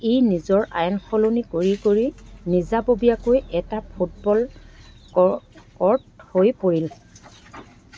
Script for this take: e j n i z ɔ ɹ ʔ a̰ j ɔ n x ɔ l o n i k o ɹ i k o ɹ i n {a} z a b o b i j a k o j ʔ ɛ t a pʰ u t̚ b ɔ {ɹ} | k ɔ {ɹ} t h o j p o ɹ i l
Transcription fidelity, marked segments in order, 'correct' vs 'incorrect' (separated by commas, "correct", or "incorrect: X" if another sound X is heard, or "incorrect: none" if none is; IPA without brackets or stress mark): incorrect: i, incorrect: l, correct